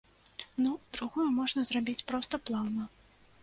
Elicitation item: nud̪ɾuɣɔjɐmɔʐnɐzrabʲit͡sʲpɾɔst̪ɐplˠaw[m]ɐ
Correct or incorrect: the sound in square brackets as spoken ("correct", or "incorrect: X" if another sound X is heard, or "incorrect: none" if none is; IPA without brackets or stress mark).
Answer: incorrect: n